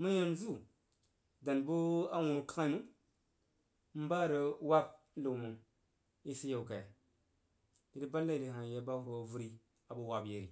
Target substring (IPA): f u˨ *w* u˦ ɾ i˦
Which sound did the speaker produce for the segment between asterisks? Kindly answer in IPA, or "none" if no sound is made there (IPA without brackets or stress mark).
v